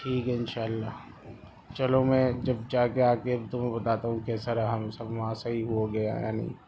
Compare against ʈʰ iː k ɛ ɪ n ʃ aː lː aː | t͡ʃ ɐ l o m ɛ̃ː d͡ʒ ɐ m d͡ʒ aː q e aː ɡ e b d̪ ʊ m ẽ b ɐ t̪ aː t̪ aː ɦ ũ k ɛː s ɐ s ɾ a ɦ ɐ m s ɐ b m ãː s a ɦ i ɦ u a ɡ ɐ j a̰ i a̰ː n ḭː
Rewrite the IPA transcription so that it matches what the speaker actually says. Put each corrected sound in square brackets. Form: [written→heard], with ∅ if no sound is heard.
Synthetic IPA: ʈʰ iː k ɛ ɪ n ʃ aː lː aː | t͡ʃ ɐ l o m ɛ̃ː d͡ʒ ɐ [m→b] d͡ʒ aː [q→k] e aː [ɡ→k] e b [d̪→t̪] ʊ m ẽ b ɐ t̪ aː t̪ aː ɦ ũ k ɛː s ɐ [s→∅] ɾ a ɦ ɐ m s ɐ b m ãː s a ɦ i ɦ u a ɡ ɐ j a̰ [i→j] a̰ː n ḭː